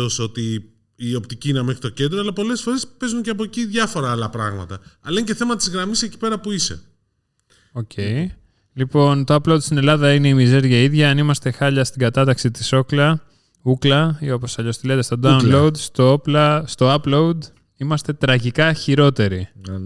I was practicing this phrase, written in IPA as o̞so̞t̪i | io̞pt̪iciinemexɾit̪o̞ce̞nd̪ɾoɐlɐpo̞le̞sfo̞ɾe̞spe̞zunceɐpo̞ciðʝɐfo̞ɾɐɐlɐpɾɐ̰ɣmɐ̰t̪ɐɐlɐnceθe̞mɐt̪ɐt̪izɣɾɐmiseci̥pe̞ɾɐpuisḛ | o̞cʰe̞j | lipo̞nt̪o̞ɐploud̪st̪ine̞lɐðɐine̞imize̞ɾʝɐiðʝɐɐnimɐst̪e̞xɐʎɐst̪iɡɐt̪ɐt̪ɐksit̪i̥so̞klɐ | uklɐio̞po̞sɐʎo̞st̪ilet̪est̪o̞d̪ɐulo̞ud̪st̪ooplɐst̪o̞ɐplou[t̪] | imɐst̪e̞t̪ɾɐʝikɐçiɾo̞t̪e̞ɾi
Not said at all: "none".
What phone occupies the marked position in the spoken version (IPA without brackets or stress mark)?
d̪